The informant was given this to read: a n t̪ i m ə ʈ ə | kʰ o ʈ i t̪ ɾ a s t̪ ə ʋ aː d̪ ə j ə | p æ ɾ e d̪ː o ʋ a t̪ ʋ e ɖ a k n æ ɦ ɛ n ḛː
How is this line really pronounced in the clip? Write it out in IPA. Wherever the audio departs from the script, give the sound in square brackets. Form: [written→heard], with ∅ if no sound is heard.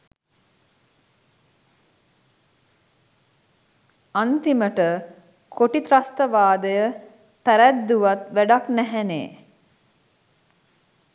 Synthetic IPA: a n t̪ i m ə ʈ ə | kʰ o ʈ i t̪ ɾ a s t̪ ə ʋ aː d̪ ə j ə | p æ ɾ [e→æ] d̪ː [o→u] ʋ a t̪ ʋ [e→æ] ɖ a k n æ ɦ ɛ n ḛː